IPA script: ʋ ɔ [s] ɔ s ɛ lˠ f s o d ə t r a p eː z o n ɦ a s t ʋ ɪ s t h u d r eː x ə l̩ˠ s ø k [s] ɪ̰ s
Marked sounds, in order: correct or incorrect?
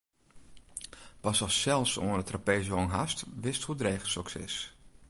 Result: correct, correct

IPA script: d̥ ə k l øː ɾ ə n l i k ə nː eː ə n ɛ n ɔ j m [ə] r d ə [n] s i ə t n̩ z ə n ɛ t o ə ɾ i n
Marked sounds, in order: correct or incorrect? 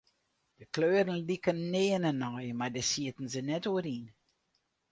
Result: incorrect, incorrect

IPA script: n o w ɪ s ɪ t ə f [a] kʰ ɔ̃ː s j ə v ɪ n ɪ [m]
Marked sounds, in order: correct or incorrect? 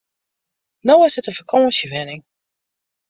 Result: incorrect, incorrect

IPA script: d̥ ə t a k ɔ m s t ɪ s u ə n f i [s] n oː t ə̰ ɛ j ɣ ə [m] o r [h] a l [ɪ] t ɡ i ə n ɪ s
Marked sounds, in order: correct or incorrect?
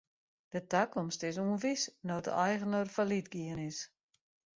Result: correct, incorrect, incorrect, incorrect

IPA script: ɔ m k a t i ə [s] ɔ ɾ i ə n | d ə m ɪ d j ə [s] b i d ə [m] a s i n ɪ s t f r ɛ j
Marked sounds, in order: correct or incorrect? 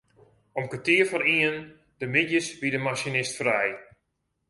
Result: incorrect, correct, correct

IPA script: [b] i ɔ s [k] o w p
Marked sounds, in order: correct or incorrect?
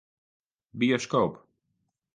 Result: correct, correct

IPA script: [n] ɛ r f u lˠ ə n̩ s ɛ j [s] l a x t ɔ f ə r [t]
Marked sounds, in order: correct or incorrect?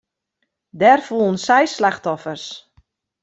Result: incorrect, correct, incorrect

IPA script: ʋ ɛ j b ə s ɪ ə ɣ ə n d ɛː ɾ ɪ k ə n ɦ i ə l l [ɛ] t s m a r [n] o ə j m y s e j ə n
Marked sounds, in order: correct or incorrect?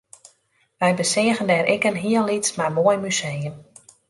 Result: incorrect, incorrect

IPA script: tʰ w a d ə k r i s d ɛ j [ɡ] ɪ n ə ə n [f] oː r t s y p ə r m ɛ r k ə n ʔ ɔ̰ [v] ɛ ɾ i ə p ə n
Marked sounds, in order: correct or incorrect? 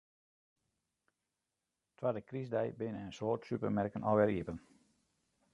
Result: incorrect, incorrect, incorrect

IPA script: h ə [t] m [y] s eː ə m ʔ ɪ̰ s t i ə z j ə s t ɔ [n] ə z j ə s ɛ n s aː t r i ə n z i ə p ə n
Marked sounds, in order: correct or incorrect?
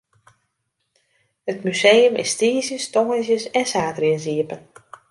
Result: correct, correct, incorrect

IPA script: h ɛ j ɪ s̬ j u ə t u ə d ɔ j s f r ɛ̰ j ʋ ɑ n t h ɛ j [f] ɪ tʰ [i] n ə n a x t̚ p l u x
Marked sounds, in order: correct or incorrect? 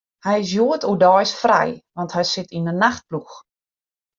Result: incorrect, correct

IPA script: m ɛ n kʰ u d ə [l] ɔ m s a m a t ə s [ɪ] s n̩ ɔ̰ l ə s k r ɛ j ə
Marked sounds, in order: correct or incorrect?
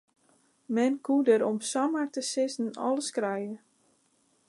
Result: incorrect, correct

